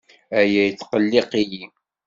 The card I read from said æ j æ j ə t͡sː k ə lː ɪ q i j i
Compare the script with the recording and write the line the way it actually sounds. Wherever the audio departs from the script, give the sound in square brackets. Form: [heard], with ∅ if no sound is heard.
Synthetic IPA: æ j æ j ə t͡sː [q] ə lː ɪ q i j i